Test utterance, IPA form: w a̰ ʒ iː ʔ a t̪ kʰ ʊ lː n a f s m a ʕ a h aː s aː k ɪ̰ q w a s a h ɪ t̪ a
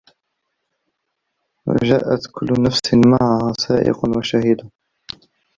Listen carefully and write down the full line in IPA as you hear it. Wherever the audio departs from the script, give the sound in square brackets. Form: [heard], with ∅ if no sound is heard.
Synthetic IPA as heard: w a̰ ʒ [aː] ʔ a t̪ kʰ ʊ lː n a f s m a ʕ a h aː s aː [ʔ] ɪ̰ q w a [ʃ] a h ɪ [d̪] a

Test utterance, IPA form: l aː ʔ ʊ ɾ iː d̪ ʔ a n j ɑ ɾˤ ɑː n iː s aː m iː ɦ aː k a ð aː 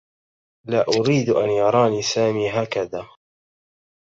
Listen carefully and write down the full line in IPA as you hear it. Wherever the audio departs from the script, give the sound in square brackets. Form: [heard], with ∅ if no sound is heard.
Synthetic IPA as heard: l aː ʔ ʊ ɾ iː d̪ ʔ a n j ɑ ɾˤ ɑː n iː s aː m iː ɦ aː k a ð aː

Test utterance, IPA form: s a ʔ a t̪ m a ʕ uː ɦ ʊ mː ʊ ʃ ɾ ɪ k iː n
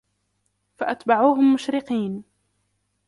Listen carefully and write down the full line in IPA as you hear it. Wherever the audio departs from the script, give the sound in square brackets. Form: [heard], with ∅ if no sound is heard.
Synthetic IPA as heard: [f] a ʔ a t̪ [b] a ʕ uː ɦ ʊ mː ʊ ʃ ɾ ɪ [q] iː n

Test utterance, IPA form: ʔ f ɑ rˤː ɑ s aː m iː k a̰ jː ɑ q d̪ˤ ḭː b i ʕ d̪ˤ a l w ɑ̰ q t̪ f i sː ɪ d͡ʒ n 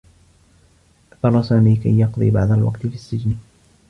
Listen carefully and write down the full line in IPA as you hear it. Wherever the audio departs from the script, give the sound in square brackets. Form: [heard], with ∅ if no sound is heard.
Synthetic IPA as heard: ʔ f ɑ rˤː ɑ s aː m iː k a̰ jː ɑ q d̪ˤ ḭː b [a] ʕ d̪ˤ a l w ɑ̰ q t̪ f i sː ɪ d͡ʒ n

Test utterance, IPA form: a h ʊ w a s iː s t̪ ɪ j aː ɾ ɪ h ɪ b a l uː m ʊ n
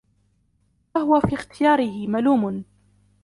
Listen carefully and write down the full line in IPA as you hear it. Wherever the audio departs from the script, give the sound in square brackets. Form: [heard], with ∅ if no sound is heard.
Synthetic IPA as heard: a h ʊ w a [f] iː [x] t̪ ɪ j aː ɾ ɪ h ɪ [m] a l uː m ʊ n

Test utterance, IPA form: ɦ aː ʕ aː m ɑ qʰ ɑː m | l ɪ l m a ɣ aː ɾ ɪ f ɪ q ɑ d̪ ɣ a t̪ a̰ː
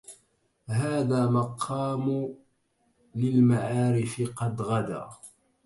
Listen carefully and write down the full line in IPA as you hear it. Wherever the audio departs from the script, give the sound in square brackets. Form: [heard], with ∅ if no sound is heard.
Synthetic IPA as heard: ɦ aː [ð] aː m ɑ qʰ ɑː m | l ɪ l m a [ʕ] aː ɾ ɪ f ɪ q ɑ d̪ ɣ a [d̪] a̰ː

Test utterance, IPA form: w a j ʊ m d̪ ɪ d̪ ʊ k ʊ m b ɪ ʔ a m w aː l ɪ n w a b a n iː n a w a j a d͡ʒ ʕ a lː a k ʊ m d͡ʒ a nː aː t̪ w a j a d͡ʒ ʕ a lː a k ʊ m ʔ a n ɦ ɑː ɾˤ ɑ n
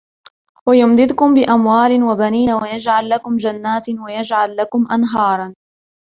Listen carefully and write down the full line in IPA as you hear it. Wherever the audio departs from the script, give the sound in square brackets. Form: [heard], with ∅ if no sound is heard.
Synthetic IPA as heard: w a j ʊ m d̪ ɪ d̪ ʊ k ʊ m b ɪ ʔ a m w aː l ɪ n w a b a n iː n a w a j a d͡ʒ ʕ a lː a k ʊ m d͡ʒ a nː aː t̪ w a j a d͡ʒ ʕ a lː a k ʊ m ʔ a n ɦ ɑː ɾˤ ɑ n

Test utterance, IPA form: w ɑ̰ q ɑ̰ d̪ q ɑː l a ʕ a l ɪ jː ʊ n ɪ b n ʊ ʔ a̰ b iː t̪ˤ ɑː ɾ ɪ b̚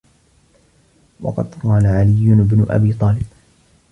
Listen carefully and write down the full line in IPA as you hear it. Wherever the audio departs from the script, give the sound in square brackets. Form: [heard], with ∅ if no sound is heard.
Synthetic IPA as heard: w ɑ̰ q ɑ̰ d̪ q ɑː l a ʕ a l ɪ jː ʊ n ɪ b n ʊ ʔ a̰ b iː t̪ˤ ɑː [l] ɪ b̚

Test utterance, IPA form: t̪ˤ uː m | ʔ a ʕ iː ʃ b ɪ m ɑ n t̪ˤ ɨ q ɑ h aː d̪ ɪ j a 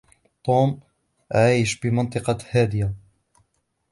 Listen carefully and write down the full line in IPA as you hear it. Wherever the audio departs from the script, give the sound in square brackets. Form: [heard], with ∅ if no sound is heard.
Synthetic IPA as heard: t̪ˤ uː m | ʔ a ʕ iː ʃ b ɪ m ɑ n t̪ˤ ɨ q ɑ h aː d̪ ɪ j a

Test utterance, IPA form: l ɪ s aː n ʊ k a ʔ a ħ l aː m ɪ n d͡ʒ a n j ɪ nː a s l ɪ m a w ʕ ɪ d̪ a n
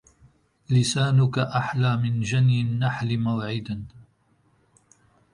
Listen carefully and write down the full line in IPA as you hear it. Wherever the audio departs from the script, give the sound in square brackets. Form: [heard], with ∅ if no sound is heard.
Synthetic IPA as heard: l ɪ s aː n ʊ k a ʔ a ħ l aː m ɪ n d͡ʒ a n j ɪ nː a [ħ] l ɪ m a w ʕ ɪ d̪ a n

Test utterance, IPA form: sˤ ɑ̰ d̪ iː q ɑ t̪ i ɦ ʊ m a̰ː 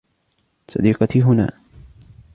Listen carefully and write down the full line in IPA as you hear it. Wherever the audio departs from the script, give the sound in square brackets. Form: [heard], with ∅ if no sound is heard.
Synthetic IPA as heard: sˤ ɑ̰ d̪ iː q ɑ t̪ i ɦ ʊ [n] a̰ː

